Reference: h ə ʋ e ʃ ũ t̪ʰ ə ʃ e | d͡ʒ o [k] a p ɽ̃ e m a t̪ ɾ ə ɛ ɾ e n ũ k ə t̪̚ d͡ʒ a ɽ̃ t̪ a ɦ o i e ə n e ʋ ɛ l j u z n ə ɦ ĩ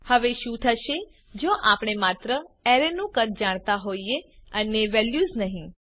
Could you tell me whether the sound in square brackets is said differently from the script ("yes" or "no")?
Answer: yes